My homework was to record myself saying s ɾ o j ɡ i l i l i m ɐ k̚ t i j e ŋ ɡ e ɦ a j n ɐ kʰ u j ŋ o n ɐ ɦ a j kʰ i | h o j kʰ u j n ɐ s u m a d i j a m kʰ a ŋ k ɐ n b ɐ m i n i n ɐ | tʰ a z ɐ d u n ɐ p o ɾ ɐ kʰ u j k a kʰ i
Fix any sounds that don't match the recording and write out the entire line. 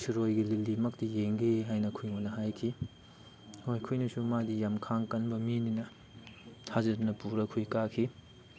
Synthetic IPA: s ɾ o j ɡ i l i l i m ɐ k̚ t i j e ŋ ɡ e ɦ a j n ɐ kʰ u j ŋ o n ɐ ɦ a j kʰ i | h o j kʰ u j n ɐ s u m a d i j a m kʰ a ŋ k ɐ n b ɐ m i n i n ɐ | tʰ a z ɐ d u n ɐ p u ɾ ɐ kʰ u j k a kʰ i